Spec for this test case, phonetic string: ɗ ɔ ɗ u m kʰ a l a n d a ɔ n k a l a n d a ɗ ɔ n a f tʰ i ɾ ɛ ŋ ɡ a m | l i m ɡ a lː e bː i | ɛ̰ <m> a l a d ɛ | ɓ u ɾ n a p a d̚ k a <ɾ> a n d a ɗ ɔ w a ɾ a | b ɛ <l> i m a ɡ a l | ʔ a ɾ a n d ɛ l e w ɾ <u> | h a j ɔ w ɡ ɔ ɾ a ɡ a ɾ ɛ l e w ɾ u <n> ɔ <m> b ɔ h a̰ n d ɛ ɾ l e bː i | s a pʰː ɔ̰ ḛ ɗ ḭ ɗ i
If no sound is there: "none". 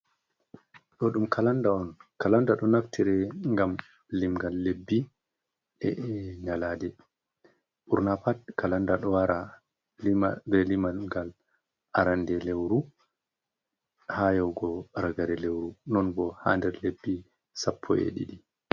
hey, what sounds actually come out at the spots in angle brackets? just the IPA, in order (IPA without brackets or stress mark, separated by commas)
ɲ, l, l, u, n, n